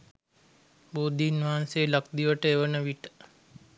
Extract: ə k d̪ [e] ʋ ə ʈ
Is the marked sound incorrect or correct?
incorrect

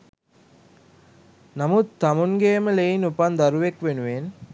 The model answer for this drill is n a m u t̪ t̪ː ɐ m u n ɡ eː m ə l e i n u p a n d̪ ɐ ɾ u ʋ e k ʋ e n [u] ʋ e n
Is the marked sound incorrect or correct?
correct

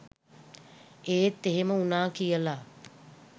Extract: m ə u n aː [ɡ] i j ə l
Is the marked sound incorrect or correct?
incorrect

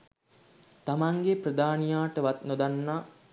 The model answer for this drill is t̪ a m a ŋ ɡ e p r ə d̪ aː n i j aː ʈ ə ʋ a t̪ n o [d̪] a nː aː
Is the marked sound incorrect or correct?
correct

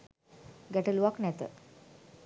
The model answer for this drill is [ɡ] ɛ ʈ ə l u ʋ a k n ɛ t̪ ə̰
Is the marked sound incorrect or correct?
correct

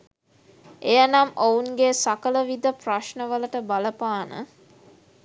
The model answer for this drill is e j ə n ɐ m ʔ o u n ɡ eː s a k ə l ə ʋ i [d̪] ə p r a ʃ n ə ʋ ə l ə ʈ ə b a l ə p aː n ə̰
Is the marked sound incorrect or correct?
correct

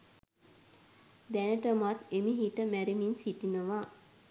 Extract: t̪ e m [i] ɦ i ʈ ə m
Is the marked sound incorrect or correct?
correct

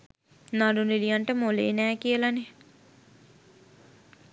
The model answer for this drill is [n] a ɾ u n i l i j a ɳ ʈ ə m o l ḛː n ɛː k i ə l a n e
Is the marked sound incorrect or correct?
correct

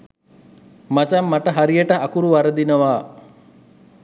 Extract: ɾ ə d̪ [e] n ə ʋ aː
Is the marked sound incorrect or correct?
incorrect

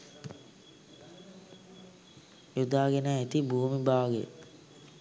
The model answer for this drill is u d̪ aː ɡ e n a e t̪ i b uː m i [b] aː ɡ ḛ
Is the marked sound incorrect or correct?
correct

